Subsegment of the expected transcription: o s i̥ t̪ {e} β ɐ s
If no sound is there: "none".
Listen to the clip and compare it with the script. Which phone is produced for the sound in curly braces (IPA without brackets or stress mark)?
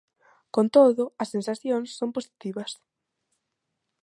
i